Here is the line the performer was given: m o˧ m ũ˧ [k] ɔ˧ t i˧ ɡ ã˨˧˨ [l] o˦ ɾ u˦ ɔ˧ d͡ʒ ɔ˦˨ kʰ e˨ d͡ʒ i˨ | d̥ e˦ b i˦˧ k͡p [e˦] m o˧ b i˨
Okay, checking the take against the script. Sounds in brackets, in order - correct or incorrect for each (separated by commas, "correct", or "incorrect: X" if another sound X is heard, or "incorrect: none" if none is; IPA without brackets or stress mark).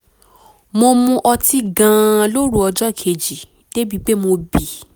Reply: incorrect: ʔ, correct, correct